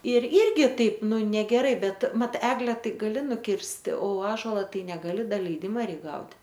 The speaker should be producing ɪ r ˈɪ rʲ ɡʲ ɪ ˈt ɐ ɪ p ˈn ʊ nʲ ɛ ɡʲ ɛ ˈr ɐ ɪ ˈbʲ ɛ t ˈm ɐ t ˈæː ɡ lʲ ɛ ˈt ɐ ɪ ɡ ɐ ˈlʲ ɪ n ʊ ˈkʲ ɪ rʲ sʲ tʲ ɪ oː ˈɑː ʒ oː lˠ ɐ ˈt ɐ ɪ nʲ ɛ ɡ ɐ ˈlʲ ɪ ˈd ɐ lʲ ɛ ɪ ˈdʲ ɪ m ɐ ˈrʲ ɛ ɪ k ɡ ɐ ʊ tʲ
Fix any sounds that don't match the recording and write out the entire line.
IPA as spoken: ɪ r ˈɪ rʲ ɡʲ ɪ ˈt ɐ ɪ p ˈn ʊ nʲ ɛ ɡʲ ɛ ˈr ɐ ɪ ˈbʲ ɛ t ˈm ɐ t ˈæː ɡ lʲ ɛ ˈt ɐ ɪ ɡ ɐ ˈlʲ ɪ n ʊ ˈkʲ ɪ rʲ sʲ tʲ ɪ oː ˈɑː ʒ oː lˠ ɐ ˈt ɐ ɪ nʲ ɛ ɡ ɐ ˈlʲ ɪ ˈd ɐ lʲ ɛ ɪ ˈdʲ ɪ m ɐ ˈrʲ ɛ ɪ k ɡ ɐ ʊ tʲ